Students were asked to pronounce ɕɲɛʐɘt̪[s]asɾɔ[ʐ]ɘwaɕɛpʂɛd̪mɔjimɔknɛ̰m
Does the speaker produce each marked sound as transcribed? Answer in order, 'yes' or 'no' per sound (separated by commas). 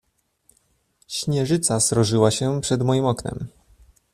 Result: yes, yes